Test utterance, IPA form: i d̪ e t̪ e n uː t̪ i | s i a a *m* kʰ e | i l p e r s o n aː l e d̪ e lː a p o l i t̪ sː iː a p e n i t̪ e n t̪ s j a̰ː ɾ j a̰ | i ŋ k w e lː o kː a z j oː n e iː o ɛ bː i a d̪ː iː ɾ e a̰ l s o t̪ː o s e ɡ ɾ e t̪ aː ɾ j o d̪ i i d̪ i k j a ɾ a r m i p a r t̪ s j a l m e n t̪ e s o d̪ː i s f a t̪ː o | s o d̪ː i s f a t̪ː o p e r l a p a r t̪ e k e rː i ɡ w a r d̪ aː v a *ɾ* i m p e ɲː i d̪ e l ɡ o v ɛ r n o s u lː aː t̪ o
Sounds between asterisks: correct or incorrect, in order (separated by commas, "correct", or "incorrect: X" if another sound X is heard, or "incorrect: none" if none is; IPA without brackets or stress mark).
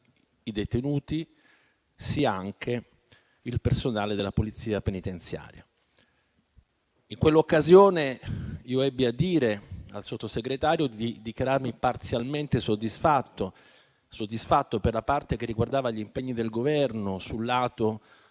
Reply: incorrect: ŋ, incorrect: ʎ